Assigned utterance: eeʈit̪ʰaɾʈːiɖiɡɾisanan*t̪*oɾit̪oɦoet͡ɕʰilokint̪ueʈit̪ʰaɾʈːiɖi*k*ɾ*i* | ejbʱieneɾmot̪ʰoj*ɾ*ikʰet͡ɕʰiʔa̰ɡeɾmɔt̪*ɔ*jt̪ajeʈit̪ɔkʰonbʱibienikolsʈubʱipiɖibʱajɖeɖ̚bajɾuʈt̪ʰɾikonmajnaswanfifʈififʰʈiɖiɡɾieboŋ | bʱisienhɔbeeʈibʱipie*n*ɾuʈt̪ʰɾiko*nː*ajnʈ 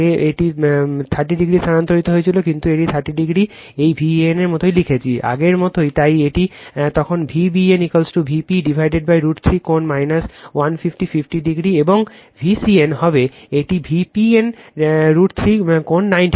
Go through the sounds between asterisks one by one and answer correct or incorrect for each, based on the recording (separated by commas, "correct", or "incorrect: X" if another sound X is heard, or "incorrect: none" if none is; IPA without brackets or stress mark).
correct, incorrect: ɡ, correct, incorrect: l, incorrect: o, correct, correct